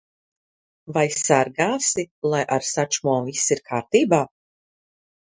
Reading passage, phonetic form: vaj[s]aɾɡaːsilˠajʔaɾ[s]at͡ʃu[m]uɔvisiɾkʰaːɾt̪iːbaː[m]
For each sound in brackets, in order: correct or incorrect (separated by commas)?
correct, correct, correct, incorrect